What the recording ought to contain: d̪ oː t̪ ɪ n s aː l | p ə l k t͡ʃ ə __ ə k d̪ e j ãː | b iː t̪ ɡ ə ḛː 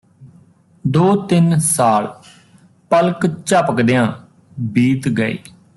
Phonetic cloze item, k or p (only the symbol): p